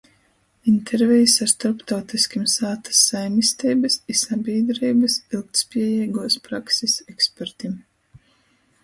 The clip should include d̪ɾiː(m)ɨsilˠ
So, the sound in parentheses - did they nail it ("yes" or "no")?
no